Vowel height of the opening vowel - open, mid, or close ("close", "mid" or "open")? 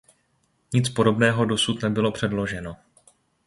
close